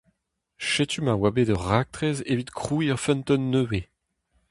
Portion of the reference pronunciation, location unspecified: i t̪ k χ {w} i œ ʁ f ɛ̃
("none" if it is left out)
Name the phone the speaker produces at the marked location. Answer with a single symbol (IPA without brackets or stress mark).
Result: u